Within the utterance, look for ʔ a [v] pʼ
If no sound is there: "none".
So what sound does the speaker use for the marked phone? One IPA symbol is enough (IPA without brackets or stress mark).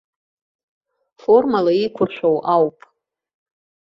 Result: w